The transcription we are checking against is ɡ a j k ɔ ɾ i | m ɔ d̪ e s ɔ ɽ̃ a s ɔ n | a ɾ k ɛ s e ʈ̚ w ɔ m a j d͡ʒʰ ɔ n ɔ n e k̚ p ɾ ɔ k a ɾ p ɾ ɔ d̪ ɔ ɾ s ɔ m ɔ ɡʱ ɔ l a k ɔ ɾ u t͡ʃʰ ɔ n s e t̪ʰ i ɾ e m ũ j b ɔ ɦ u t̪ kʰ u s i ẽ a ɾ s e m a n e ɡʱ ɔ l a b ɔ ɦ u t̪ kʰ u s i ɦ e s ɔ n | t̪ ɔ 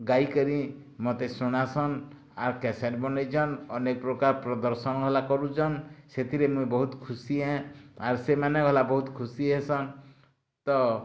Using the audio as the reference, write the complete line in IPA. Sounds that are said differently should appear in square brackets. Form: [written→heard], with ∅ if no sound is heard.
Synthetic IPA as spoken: ɡ a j k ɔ ɾ i | m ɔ [d̪→t̪] e s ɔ ɽ̃ a s ɔ n | a ɾ k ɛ s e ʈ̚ [w→b] ɔ [m→n] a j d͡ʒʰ ɔ n ɔ n e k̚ p ɾ ɔ k a ɾ p ɾ ɔ d̪ ɔ ɾ s ɔ [m→n] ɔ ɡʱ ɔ l a k ɔ ɾ u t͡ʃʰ ɔ n s e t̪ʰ i ɾ e m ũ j b ɔ ɦ u t̪ kʰ u s i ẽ a ɾ s e m a n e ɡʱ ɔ l a b ɔ ɦ u t̪ kʰ u s i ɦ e s ɔ n | t̪ ɔ